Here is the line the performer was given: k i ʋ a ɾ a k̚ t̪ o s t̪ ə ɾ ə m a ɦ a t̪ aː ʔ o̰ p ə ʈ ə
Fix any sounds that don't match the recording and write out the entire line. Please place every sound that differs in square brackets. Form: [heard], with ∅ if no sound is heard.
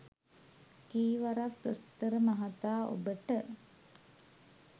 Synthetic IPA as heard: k [iː] ʋ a ɾ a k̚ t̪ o s t̪ ə ɾ ə m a ɦ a t̪ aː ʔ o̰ [b] ə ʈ ə